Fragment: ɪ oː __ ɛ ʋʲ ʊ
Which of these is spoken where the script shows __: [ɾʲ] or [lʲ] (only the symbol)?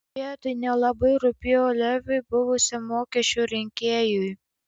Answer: lʲ